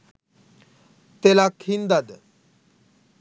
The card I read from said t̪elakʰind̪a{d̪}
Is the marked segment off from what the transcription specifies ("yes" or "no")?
no